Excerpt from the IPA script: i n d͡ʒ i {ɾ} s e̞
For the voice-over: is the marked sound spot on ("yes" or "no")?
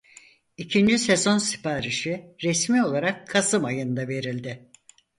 no